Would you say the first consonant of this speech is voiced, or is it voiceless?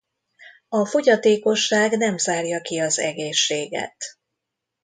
voiceless